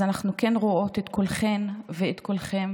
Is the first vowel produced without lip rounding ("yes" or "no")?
yes